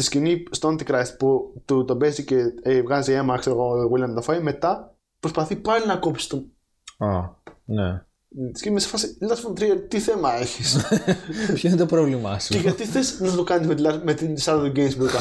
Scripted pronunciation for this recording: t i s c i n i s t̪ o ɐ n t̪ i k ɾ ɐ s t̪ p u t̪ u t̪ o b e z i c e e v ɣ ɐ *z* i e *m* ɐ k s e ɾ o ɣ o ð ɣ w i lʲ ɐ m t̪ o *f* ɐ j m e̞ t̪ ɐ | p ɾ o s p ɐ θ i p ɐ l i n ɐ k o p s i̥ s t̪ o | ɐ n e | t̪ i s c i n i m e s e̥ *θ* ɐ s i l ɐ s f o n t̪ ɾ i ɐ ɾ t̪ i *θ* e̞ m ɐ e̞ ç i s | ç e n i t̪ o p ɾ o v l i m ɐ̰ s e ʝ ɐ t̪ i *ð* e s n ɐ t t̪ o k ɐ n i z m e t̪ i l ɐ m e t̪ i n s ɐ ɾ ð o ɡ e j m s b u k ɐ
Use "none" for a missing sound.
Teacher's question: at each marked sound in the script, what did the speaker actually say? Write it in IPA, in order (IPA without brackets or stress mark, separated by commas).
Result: z, m, f, f, θ, θ